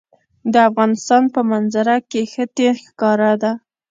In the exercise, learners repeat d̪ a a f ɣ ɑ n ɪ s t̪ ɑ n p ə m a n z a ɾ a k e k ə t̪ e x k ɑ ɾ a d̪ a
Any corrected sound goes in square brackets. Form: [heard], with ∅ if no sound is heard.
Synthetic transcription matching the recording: d̪ [ə] a f ɣ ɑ n ɪ s t̪ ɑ n p ə m a n z a ɾ a k e [x] ə t̪ e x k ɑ ɾ a d̪ a